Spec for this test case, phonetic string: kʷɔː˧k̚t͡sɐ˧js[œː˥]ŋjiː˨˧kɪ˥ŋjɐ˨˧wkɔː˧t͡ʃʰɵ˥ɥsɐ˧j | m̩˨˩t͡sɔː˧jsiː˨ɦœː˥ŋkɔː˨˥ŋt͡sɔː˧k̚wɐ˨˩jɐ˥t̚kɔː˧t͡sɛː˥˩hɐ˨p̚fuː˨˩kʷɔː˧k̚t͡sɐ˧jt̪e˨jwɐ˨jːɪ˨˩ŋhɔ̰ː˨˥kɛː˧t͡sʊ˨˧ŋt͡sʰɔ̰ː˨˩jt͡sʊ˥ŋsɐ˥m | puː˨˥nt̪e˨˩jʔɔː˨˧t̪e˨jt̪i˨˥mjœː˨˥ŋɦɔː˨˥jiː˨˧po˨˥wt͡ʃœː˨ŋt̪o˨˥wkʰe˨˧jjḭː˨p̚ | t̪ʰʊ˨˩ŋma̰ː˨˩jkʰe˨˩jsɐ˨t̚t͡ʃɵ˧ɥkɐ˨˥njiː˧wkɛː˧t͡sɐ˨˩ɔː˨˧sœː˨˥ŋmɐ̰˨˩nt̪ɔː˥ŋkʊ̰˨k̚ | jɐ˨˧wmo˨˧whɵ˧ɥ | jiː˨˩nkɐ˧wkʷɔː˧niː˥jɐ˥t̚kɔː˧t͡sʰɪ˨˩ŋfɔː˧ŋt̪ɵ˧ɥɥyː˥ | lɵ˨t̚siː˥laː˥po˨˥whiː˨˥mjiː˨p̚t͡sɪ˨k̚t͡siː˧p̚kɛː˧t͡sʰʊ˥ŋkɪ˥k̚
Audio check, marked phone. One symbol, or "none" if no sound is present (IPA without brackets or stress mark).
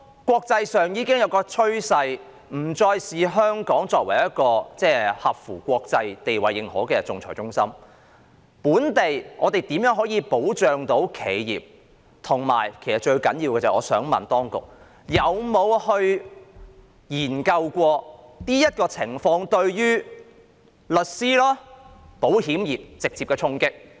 œː˨